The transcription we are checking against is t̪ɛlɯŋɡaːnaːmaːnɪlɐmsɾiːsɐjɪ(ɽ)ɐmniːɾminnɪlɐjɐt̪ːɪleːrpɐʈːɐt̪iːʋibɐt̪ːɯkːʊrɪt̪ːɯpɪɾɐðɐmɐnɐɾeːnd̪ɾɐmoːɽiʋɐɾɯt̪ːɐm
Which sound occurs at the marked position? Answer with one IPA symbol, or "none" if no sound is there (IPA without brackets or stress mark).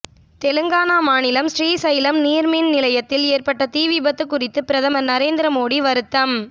l